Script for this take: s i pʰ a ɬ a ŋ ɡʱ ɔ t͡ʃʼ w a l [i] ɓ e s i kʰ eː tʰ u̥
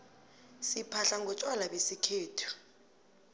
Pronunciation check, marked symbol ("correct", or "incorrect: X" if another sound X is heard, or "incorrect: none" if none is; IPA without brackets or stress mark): incorrect: a